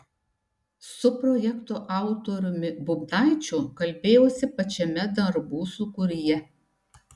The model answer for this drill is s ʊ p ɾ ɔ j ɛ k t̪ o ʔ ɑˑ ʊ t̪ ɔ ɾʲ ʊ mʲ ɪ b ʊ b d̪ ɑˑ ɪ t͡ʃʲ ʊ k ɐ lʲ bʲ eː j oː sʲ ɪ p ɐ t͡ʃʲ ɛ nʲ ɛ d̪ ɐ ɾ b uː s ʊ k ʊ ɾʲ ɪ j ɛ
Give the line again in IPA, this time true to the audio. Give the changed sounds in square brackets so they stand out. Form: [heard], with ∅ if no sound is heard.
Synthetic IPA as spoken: s ʊ p ɾ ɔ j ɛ k t̪ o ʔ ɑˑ ʊ t̪ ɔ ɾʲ ʊ mʲ ɪ b ʊ b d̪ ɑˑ ɪ t͡ʃʲ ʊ k ɐ lʲ bʲ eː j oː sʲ ɪ p ɐ t͡ʃʲ ɛ [mʲ] ɛ d̪ ɐ ɾ b uː s ʊ k ʊ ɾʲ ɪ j ɛ